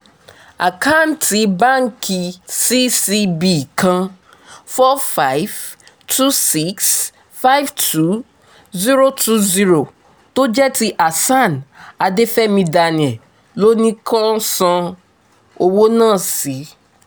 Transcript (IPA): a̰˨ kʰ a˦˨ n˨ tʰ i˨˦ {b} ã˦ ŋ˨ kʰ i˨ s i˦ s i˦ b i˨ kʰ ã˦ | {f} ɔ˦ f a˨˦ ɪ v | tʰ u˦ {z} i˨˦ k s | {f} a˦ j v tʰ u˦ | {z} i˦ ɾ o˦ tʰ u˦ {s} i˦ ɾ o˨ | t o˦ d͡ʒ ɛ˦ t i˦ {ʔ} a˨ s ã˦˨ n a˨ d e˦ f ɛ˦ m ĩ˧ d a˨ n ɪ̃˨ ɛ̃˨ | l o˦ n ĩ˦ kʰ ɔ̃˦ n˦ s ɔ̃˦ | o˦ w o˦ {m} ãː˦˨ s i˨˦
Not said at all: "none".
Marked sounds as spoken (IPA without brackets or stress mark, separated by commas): b, f, s, f, z, z, ʔ, n